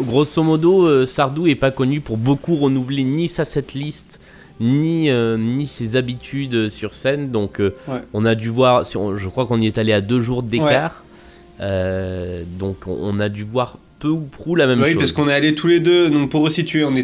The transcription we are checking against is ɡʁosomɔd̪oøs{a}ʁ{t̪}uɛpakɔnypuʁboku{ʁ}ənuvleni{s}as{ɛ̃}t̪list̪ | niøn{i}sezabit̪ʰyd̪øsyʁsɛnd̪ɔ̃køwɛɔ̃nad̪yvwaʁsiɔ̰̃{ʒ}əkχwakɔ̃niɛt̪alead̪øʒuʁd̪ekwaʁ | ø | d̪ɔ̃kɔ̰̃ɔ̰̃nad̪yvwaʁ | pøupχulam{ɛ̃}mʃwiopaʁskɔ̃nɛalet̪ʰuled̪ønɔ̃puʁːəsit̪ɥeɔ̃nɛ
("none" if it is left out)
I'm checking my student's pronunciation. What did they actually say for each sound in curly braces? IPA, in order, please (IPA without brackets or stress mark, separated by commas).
a, d̪, ʁ, s, ɛ, i, ʒ, ɛ